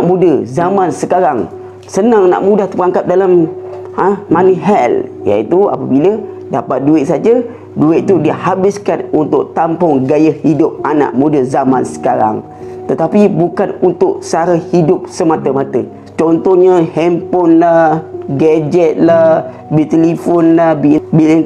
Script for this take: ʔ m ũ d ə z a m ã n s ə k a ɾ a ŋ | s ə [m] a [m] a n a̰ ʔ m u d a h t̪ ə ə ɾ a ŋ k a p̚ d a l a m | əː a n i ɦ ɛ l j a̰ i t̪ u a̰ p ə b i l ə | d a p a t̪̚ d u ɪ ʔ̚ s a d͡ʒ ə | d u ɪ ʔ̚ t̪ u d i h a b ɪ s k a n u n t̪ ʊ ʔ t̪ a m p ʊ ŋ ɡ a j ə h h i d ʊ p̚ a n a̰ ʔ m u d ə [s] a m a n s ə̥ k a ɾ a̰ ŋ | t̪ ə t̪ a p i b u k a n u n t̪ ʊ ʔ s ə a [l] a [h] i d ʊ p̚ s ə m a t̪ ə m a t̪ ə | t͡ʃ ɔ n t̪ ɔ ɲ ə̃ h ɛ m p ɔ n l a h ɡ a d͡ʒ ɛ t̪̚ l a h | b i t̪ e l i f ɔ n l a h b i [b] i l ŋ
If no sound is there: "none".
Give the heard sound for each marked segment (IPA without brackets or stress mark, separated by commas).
n, ŋ, z, ɾ, h, b